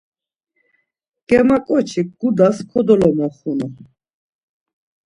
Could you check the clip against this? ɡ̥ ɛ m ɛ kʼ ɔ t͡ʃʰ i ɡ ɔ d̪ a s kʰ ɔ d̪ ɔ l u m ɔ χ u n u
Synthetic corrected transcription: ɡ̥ ɛ m a kʼ ɔ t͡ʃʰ i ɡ u d̪ a s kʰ ɔ d̪ ɔ l ɔ m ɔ χ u n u